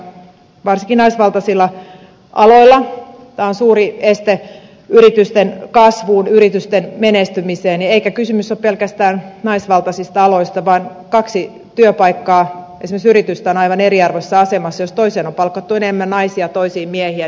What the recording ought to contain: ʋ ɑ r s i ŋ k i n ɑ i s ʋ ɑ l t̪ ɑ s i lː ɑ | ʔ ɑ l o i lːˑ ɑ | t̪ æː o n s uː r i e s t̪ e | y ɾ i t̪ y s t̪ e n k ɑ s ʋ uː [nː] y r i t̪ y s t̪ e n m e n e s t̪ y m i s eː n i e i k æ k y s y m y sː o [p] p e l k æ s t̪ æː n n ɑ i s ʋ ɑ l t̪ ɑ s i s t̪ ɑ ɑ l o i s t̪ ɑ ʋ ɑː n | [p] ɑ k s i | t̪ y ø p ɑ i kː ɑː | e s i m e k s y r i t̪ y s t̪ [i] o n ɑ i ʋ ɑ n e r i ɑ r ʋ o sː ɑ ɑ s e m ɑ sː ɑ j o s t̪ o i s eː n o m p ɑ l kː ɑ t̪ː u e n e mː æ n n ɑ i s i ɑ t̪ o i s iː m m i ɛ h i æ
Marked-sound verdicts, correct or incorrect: incorrect, correct, incorrect, incorrect

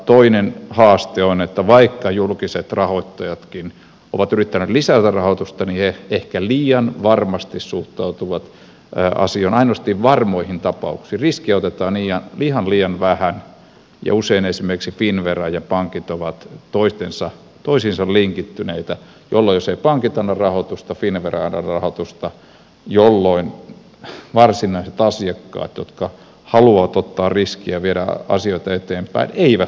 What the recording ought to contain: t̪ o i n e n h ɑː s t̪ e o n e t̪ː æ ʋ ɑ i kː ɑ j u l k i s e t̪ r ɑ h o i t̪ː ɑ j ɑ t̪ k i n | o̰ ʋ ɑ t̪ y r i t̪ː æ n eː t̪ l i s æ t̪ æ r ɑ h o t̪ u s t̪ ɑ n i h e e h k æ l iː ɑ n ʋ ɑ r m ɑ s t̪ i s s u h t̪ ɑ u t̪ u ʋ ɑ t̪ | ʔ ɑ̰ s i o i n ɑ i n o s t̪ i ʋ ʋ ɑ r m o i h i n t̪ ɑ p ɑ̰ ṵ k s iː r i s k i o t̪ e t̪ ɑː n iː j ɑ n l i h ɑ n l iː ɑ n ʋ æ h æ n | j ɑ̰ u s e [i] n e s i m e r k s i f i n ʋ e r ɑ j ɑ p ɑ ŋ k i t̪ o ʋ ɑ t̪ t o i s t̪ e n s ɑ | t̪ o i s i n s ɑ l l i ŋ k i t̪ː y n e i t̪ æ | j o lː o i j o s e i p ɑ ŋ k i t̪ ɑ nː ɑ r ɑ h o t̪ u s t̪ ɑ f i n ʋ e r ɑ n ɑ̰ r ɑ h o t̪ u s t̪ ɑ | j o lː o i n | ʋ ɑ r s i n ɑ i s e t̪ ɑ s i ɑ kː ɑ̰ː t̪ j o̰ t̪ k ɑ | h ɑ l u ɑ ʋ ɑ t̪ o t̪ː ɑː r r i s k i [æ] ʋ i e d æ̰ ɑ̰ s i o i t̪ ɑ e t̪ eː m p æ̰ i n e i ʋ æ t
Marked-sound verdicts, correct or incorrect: correct, correct

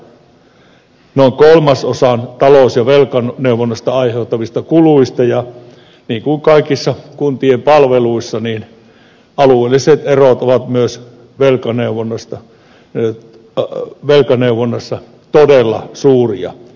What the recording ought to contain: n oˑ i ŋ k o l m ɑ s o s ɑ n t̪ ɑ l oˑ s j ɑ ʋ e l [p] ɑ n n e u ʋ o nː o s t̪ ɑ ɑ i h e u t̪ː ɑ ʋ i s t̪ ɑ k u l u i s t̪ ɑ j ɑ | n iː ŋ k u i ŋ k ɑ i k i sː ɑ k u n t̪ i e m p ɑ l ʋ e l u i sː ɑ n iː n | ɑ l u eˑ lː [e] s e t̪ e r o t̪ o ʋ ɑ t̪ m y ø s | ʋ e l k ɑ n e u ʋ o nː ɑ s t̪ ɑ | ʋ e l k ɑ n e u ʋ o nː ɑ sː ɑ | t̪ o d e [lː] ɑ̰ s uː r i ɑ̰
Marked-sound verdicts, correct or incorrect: incorrect, incorrect, correct

